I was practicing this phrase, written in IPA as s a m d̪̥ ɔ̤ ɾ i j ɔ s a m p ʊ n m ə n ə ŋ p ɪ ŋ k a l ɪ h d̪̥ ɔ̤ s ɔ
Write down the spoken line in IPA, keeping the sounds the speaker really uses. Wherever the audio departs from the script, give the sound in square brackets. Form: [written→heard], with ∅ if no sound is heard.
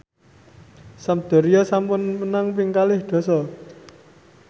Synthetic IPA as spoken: s a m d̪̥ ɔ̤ ɾ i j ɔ s a m p ʊ n m ə n [ə→a] ŋ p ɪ ŋ k a l ɪ h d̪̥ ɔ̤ s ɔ